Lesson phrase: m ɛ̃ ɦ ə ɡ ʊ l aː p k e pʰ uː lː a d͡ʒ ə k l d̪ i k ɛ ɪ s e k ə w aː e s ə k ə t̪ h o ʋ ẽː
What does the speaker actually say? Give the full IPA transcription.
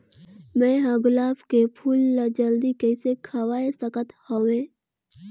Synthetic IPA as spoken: m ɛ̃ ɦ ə ɡ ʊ l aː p k e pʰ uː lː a d͡ʒ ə l d̪ i k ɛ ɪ s e kʰ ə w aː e s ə k ə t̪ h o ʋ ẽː